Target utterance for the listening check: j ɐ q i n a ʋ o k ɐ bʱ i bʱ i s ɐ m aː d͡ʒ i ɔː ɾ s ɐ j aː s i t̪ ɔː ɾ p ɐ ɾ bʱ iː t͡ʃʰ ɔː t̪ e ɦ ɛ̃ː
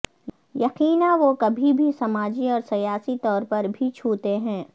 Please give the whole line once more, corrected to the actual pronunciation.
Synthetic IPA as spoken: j ɐ q iː n a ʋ o k ɐ bʱ i bʱ i s ɐ m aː d͡ʒ i ɔː ɾ s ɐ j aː s i t̪ ɔː ɾ p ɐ ɾ bʱ i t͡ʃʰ uː t̪ e ɦ ɛ̃ː